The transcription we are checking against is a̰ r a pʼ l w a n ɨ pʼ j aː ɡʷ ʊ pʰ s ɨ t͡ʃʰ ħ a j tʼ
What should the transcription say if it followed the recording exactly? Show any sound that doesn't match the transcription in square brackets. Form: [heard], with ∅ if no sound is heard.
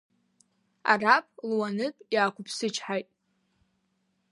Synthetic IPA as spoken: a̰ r a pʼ l w a n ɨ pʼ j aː [kʷ] ʊ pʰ s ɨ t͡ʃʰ ħ a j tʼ